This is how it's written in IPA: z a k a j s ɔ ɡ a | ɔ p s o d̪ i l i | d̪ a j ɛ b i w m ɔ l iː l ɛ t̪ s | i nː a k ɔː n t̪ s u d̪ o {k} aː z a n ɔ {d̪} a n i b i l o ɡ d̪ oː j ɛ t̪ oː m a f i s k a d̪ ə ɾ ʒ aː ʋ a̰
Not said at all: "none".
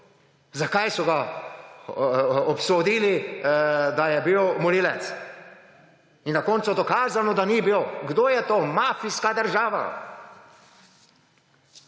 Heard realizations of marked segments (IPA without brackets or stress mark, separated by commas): k, d̪